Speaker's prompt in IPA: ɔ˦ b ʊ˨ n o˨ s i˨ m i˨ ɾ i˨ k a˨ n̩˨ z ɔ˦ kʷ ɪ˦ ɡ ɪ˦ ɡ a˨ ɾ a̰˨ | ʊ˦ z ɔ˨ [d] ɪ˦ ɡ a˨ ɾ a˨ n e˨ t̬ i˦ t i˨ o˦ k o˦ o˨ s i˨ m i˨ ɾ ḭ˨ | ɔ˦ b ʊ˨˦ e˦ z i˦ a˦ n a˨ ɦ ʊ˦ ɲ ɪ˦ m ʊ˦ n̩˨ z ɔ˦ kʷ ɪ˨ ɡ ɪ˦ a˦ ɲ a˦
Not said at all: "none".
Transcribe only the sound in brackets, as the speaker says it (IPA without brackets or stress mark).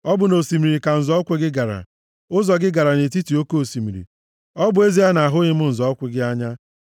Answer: ɡ